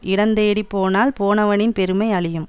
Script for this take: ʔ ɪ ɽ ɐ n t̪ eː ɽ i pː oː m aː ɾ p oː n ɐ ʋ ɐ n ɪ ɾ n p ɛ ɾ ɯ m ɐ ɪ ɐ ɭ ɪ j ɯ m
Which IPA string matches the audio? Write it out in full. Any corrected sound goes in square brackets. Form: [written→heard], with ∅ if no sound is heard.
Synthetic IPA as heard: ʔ ɪ ɽ ɐ n [t̪→d̪] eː ɽ i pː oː [m→n] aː [ɾ→l] p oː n ɐ ʋ ɐ n ɪ [ɾ→∅] n p ɛ ɾ ɯ m ɐ ɪ ɐ ɭ ɪ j ɯ m